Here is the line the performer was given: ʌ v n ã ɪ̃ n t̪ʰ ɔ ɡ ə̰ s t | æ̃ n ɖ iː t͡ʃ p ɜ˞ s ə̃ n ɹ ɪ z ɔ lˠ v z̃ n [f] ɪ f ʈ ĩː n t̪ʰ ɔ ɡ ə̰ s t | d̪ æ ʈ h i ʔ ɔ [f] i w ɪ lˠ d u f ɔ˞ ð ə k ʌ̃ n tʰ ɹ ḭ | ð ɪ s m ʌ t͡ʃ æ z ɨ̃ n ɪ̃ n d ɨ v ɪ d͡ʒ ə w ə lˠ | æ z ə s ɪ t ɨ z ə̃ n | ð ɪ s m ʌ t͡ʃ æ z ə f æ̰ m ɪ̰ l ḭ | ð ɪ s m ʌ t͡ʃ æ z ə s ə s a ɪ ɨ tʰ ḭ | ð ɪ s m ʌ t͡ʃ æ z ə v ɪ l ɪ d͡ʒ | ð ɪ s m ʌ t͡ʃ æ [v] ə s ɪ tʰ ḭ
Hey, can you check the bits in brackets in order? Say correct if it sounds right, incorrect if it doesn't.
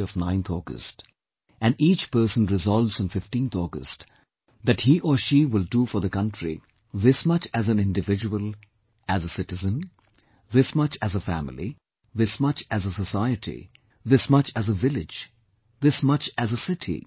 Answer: correct, incorrect: ʃ, incorrect: z

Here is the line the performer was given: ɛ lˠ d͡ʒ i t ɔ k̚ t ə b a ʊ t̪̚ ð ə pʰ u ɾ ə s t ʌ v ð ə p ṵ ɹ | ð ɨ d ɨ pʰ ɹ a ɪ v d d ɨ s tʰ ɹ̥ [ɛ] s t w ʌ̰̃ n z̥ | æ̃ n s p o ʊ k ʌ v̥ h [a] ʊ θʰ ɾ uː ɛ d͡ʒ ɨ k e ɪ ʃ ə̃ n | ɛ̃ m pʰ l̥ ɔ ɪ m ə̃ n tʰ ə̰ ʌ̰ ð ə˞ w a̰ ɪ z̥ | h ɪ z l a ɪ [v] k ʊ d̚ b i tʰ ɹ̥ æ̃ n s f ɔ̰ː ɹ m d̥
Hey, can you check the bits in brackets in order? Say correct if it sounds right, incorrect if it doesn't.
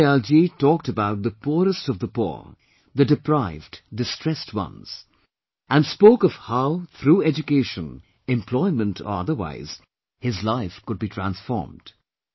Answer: correct, correct, incorrect: f

